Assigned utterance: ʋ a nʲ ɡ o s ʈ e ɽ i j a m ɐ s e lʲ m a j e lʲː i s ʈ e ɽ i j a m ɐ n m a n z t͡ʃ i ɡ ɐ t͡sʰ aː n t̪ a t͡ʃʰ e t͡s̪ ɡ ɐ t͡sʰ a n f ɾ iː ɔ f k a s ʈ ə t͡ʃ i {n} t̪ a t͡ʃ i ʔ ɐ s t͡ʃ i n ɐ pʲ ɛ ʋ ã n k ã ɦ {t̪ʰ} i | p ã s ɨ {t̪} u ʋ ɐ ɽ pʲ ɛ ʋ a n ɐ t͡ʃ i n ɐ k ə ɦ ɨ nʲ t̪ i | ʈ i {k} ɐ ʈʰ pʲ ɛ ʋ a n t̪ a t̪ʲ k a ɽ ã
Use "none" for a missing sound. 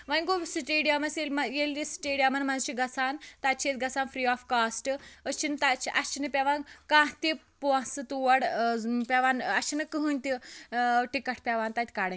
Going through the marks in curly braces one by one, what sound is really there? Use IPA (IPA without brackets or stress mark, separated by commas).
n, t̪, t̪, k